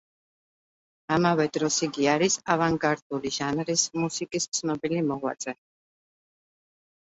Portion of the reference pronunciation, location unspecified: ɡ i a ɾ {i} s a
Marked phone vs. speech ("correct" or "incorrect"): correct